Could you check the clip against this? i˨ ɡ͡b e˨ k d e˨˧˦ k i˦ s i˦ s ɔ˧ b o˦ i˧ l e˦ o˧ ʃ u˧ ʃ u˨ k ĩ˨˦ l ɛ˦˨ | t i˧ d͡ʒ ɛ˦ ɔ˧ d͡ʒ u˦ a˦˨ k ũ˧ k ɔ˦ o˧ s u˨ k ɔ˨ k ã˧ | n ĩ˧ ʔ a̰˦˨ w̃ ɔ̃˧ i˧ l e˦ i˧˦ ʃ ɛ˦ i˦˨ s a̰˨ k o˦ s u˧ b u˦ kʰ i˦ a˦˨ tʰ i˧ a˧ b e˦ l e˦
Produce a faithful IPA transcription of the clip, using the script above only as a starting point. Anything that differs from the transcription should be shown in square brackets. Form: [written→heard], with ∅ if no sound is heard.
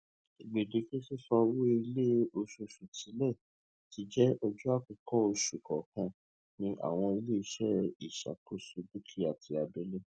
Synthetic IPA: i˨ ɡ͡b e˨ [k→∅] d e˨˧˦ k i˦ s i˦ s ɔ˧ [b→w] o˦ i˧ l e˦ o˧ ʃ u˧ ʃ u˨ [k→t] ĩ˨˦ l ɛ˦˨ | t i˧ d͡ʒ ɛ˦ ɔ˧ d͡ʒ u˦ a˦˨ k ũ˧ k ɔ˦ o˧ [s→ʃ] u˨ k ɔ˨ k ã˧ | n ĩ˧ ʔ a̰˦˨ w̃ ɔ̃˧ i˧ l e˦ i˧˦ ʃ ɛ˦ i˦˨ [s→ʃ] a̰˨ k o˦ s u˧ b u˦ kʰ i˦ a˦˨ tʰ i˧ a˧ b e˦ l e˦